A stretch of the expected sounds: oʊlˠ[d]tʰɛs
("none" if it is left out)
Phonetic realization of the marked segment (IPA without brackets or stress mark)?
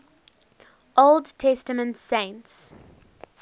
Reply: d